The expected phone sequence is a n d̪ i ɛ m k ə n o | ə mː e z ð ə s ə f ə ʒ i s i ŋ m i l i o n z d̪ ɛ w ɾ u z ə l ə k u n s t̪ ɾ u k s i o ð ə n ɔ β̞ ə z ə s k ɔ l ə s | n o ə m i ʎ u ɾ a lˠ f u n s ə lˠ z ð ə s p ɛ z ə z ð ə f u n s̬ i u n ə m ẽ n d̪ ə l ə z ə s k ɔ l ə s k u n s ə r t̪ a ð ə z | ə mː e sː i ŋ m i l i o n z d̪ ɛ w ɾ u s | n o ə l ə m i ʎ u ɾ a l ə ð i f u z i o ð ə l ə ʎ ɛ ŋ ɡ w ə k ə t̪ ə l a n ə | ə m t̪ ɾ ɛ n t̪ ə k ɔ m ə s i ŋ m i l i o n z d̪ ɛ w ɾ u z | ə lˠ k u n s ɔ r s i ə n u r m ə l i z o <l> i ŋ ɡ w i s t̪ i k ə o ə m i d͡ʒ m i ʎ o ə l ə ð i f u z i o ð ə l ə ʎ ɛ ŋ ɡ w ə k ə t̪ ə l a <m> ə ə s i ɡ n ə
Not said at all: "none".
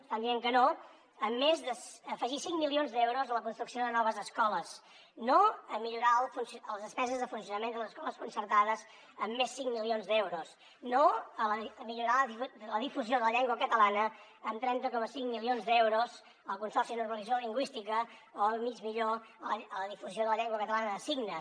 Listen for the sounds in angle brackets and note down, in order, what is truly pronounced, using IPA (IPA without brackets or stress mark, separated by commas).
l, n